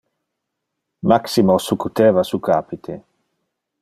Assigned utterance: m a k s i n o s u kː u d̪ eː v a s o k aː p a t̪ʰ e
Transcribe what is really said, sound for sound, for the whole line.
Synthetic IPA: m a k s i m o s u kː u t̪ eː v a s u k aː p i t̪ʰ e